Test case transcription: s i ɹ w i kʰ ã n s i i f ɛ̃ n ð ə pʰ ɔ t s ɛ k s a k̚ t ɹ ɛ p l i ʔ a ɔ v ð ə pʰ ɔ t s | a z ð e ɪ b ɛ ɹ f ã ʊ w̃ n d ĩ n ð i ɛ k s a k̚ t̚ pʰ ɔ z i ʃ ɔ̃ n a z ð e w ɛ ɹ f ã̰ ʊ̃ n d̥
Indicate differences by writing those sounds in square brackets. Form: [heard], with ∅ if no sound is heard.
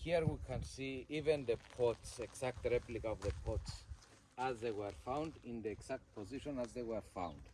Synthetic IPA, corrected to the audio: [h] i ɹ w i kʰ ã n s i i [v] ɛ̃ n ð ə pʰ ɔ t s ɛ k s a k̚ t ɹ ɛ p l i [k] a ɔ v ð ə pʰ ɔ t s | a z ð e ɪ [w] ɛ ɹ f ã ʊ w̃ n d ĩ n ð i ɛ k s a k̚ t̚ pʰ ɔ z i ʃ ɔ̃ n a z ð e w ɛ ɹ f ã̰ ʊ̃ n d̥

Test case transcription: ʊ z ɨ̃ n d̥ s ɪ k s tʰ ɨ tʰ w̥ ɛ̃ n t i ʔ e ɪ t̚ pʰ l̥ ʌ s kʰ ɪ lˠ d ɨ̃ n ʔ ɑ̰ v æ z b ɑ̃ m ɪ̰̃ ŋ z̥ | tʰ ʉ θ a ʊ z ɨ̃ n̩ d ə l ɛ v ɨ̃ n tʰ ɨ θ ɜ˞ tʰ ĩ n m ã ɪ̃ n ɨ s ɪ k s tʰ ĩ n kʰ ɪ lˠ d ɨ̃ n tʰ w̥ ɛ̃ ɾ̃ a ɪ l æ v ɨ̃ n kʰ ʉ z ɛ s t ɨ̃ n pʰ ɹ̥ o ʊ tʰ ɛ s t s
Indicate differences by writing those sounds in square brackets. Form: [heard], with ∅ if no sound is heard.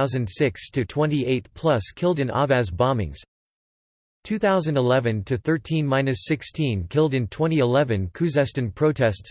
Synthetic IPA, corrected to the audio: ʊ z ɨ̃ n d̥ s ɪ k s tʰ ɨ tʰ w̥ ɛ̃ n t i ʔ e ɪ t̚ pʰ l̥ ʌ s kʰ ɪ lˠ d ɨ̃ n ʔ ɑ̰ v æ z b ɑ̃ m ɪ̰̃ ŋ z̥ | tʰ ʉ θ a ʊ z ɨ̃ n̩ d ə l ɛ v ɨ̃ n tʰ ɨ θ ɜ˞ tʰ ĩ n m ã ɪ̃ n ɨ s ɪ k s tʰ ĩ n kʰ ɪ lˠ d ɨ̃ n tʰ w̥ ɛ̃ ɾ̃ [i] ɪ l [ɛ] v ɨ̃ n kʰ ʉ z ɛ s t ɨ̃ n pʰ ɹ̥ o ʊ tʰ ɛ s t s

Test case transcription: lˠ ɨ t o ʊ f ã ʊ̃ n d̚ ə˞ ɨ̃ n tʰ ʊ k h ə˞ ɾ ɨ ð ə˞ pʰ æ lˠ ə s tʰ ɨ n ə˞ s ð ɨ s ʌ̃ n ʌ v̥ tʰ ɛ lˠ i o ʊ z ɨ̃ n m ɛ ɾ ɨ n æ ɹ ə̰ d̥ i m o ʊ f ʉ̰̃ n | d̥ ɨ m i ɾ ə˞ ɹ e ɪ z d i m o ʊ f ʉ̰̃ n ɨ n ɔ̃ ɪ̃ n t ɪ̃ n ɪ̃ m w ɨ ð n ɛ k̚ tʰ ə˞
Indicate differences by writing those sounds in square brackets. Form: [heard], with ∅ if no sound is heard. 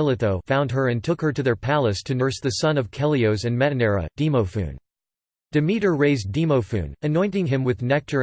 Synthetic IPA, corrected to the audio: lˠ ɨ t o ʊ f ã ʊ̃ n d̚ ə˞ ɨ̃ n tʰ ʊ k h ə˞ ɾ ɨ ð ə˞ pʰ æ lˠ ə s tʰ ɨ n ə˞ s ð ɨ s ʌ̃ n ʌ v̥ [kʰ] ɛ lˠ i o ʊ z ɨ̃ n m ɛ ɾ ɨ n [ɛ] ɹ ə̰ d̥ i m o ʊ f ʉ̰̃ n | d̥ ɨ m i ɾ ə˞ ɹ e ɪ z d i m o ʊ f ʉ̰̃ n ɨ n ɔ̃ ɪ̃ n t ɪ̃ [ŋ] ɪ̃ m w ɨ ð n ɛ k̚ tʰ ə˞

